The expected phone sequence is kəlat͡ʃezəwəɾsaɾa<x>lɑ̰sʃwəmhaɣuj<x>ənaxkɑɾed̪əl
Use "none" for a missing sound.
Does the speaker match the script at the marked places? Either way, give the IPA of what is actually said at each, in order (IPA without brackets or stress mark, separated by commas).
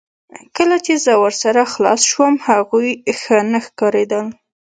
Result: x, x